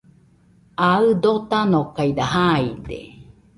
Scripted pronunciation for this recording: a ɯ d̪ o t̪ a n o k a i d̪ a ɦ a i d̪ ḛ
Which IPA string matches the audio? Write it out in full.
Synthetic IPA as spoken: a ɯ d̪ o t̪ a n o k a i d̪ a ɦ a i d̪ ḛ

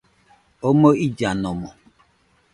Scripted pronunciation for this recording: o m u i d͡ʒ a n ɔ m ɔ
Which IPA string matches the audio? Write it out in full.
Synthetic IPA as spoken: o m o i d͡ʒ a n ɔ m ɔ

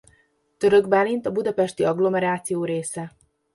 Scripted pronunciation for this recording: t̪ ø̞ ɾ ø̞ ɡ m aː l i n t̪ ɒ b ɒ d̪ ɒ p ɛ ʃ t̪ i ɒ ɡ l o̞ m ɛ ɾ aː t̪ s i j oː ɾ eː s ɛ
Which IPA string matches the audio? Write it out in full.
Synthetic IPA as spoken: t̪ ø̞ ɾ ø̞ ɡ b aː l i n t̪ ɒ b u d̪ ɒ p ɛ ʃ t̪ i ɒ ɡ l o̞ m ɛ ɾ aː t̪ s i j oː ɾ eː s ɛ

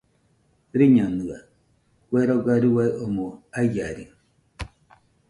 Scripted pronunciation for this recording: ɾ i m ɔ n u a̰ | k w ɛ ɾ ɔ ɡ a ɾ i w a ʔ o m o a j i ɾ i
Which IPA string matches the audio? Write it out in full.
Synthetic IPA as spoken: ɾ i ɲ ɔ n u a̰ | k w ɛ ɾ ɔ ɡ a ɾ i w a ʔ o m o a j a ɾ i

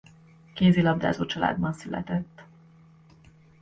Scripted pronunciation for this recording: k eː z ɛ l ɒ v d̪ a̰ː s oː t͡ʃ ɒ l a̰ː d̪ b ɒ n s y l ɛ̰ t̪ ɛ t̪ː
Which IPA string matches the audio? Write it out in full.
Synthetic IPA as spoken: k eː z i l ɒ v d̪ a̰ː z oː t͡ʃ ɒ l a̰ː d̪ b ɒ n s y l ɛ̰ t̪ ɛ t̪ː

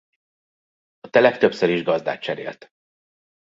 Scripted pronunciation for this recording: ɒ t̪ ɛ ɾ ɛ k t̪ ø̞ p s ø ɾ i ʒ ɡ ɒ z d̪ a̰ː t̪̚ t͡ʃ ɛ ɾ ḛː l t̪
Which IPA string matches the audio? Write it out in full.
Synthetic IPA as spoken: ɒ t̪ ɛ l ɛ k t̪ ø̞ p s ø ɾ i ʒ ɡ ɒ z d̪ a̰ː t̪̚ t͡ʃ ɛ ɾ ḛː l t̪

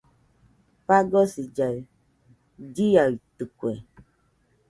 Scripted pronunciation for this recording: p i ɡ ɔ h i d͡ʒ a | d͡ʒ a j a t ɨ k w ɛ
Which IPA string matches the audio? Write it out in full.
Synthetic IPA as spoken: p a ɡ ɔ s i d͡ʒ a | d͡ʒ i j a t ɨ k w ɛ

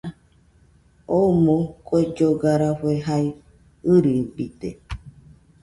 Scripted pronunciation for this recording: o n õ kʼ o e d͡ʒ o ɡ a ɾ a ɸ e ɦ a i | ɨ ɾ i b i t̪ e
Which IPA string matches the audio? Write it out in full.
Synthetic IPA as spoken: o m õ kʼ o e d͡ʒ o ɡ a ɾ a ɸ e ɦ a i | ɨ ɾ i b i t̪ e

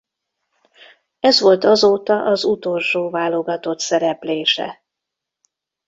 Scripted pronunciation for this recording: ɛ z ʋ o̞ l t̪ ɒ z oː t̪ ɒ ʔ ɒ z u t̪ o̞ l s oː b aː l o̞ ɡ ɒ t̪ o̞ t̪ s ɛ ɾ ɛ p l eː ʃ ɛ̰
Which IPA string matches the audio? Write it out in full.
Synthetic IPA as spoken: ɛ z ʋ o̞ l t̪ ɒ z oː t̪ ɒ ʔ ɒ z u t̪ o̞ l ʃ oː v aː l o̞ ɡ ɒ t̪ o̞ t̪ s ɛ ɾ ɛ p l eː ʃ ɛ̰

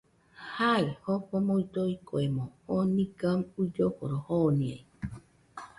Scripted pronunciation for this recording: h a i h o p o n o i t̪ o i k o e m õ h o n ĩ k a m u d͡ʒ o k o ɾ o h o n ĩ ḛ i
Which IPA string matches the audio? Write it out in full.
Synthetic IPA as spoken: h a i h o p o m o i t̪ o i k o e m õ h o n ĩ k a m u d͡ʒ o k o ɾ o h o n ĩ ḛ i

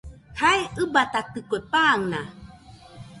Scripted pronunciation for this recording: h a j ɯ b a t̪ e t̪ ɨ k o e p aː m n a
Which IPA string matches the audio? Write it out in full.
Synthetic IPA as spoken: h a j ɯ b a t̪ a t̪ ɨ k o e p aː ŋ n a

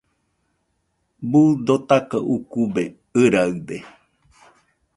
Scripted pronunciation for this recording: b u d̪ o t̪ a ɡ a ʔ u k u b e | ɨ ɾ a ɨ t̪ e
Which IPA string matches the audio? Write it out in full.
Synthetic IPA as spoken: b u d̪ o t̪ a k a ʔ u k u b e | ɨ ɾ a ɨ d̪ e

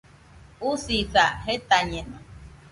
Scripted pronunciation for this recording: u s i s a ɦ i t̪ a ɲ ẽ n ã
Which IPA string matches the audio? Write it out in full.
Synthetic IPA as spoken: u s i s a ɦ e t̪ a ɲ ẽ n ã

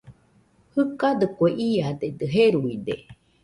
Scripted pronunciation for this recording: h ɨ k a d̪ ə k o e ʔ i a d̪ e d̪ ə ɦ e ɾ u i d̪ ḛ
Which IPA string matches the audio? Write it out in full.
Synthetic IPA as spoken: h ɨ k a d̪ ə k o e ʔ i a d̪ e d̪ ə ɦ e ɾ u i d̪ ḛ

